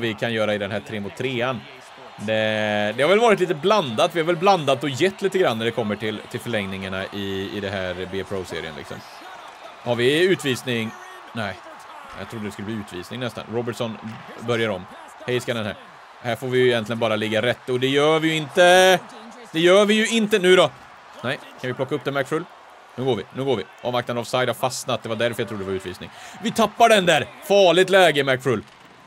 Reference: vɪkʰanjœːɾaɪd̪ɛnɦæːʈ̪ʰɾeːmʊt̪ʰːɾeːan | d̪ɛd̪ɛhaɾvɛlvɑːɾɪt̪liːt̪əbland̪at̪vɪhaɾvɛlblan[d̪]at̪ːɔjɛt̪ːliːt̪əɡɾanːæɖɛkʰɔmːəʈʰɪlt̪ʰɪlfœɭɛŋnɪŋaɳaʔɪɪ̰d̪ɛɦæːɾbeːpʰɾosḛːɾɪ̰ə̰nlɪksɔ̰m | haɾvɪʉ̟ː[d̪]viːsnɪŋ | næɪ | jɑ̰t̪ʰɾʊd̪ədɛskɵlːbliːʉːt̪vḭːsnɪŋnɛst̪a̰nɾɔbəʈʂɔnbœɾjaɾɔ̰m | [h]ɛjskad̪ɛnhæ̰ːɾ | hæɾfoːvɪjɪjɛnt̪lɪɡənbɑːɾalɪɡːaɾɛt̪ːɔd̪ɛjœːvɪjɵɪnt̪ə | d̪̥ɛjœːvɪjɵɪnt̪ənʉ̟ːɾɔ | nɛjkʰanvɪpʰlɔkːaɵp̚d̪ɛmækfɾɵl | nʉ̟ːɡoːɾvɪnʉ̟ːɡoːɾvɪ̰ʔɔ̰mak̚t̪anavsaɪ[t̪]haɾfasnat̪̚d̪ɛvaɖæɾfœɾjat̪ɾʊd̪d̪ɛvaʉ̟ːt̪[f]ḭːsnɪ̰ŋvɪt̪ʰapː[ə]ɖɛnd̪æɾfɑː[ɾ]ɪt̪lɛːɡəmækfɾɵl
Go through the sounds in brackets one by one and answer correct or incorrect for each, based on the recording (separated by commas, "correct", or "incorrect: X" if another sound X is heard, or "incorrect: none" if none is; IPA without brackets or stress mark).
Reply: correct, incorrect: t̪, correct, incorrect: d̪, incorrect: v, incorrect: a, incorrect: ɭ